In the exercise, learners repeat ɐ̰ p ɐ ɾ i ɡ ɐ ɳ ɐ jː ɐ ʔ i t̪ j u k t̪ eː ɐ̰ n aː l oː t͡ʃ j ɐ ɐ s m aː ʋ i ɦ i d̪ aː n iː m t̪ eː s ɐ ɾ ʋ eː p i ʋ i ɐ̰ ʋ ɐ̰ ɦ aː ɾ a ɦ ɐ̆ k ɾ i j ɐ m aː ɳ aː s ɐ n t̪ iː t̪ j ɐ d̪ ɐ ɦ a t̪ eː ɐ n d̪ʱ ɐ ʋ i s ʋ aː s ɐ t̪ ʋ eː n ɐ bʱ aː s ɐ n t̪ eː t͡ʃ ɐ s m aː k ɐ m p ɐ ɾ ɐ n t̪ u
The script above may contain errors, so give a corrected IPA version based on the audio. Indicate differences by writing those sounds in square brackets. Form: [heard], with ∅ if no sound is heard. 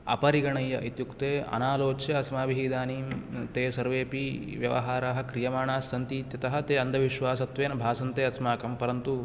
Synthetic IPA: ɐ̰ p ɐ ɾ i ɡ ɐ ɳ ɐ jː ɐ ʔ i t̪ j u k t̪ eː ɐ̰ n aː l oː t͡ʃ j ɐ ɐ s m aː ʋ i ɦ i d̪ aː n iː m t̪ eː s ɐ ɾ ʋ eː p i ʋ [j] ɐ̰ ʋ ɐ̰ ɦ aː ɾ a ɦ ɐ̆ k ɾ i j ɐ m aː ɳ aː s ɐ n t̪ iː t̪ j ɐ [t̪] ɐ ɦ [ɐ] t̪ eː ɐ n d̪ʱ ɐ ʋ i [ʃ] ʋ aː s ɐ t̪ ʋ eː n ɐ bʱ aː s ɐ n t̪ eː [∅] ɐ s m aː k ɐ m p ɐ ɾ ɐ n t̪ u